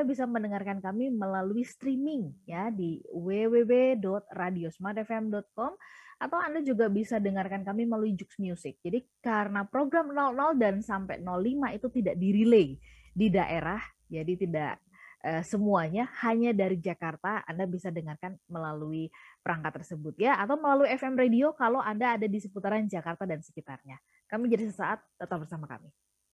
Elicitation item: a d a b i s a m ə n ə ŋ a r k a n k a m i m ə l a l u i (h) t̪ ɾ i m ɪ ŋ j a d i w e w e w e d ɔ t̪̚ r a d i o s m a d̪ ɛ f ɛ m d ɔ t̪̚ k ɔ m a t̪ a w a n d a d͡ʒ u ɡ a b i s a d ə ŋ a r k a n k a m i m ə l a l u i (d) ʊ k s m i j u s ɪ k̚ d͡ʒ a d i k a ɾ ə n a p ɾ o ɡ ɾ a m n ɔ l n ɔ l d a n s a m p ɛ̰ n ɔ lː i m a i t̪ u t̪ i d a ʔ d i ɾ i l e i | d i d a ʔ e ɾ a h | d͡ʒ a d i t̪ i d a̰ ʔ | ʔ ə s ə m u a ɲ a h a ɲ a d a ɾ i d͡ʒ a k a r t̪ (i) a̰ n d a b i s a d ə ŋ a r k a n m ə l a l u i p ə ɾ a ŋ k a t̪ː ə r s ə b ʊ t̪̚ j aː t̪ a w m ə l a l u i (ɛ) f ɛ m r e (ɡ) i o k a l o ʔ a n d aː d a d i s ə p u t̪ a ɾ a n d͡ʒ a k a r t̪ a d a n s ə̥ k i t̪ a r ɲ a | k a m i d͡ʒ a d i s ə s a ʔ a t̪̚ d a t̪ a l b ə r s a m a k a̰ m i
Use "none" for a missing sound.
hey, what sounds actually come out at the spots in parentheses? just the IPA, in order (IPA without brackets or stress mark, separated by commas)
s, d͡ʒ, a, ɛ, d